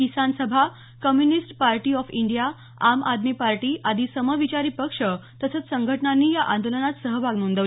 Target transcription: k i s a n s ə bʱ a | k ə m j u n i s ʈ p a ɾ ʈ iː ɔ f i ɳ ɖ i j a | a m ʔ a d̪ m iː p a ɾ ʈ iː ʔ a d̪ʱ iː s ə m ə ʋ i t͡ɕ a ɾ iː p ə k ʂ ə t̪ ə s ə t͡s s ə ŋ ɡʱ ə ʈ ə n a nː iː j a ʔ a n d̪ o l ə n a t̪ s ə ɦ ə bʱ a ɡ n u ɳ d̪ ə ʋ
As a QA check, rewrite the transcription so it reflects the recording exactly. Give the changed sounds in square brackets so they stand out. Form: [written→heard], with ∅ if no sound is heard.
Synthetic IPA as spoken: k i s a n s ə bʱ a | k ə m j u n i s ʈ p a ɾ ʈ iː ɔ f i ɳ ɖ i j a | a m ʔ a d̪ m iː p a ɾ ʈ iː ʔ a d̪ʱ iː s ə m ə ʋ i t͡ɕ a ɾ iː p ə k ʂ ə t̪ ə s ə t͡s s ə ŋ ɡʱ ə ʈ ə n a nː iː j a ʔ a n d̪ o l ə n a t̪ s ə ɦ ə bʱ a ɡ n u [ɳ→n] d̪ ə ʋ